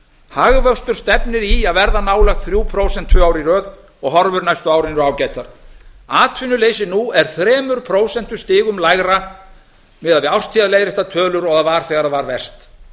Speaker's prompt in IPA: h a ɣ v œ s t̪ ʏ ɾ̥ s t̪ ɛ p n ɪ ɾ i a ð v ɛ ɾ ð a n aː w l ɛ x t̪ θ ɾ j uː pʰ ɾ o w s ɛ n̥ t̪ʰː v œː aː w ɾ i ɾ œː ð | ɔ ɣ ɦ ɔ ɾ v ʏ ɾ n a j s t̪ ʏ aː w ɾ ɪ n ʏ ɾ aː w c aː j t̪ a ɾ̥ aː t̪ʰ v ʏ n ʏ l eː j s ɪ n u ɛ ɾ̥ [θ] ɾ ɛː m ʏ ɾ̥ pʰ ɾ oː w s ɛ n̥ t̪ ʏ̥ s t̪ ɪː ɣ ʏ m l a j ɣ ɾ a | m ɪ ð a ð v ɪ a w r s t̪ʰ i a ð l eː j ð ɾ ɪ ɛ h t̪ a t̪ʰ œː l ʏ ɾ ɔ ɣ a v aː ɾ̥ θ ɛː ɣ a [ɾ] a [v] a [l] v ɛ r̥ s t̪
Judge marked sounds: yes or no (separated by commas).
yes, yes, yes, no